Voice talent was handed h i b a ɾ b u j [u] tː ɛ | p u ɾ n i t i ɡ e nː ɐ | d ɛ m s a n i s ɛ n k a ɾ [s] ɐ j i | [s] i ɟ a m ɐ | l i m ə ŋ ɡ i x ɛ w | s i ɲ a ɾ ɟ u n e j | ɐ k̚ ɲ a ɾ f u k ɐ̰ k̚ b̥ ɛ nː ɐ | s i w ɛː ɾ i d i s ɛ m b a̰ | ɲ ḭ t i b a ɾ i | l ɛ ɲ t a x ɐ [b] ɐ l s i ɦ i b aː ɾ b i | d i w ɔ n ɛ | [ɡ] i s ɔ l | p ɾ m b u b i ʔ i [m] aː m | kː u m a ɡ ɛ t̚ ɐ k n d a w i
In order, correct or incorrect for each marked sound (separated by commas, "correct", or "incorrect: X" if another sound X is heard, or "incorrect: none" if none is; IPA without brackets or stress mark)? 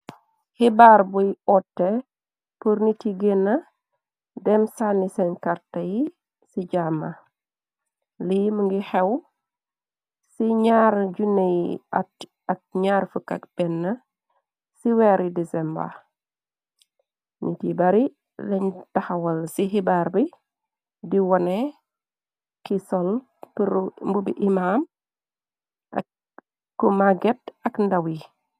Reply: incorrect: ɔ, incorrect: t, correct, incorrect: w, incorrect: k, correct